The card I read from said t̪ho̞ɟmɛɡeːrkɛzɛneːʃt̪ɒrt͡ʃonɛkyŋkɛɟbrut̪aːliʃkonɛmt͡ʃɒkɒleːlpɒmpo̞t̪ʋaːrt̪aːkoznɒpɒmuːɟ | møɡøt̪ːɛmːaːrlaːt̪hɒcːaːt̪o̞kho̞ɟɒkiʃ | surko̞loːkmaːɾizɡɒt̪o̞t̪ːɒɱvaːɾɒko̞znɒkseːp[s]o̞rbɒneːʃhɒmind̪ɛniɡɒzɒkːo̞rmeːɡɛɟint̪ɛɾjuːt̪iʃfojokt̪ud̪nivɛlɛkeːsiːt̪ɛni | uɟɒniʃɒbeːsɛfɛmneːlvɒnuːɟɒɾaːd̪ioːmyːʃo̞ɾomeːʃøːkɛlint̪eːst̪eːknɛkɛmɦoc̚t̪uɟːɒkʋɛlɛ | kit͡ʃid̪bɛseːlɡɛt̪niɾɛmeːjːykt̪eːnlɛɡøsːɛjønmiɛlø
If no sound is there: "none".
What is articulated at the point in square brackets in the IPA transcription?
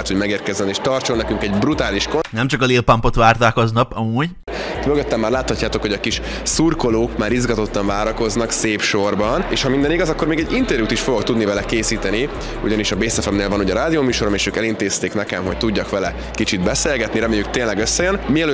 ʃ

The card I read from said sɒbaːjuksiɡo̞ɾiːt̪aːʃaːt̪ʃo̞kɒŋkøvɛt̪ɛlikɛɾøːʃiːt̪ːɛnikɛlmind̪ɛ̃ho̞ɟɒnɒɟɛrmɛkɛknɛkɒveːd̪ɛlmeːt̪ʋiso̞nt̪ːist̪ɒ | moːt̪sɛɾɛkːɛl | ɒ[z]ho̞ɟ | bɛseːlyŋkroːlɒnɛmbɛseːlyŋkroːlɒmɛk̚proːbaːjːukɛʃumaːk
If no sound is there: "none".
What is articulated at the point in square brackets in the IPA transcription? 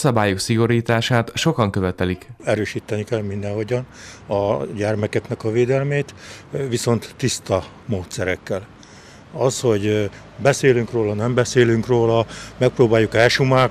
s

